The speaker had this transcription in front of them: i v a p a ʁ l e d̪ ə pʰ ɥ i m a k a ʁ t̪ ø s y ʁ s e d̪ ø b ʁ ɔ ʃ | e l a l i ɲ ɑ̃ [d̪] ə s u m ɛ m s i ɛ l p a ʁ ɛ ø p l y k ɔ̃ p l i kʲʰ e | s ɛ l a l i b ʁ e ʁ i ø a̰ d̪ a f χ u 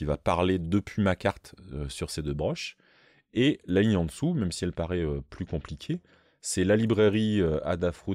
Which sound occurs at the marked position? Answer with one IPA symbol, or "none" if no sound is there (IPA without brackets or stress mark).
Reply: d̪